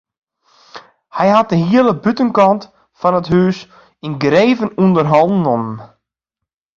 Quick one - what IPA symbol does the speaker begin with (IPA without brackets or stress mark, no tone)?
h